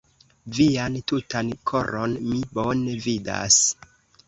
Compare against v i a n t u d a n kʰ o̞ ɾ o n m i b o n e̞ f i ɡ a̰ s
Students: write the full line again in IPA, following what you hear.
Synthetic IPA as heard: v i a n t u t a n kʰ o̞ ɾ o n m i b o n e̞ v i d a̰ s